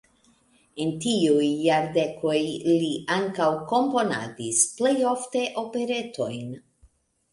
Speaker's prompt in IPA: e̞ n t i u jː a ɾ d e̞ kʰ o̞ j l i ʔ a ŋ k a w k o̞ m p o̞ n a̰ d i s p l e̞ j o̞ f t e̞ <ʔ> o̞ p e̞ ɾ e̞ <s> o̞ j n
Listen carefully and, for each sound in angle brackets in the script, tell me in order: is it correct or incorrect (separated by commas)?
correct, incorrect